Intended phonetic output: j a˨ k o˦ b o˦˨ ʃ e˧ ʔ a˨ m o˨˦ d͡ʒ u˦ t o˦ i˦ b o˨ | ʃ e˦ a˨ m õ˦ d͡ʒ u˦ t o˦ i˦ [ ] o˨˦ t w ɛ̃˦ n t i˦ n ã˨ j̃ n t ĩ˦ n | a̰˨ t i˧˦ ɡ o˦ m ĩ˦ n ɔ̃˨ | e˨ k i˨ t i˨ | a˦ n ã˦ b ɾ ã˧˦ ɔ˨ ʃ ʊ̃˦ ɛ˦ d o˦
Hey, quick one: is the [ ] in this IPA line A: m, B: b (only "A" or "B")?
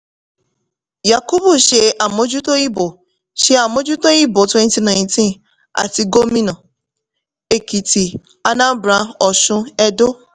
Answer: B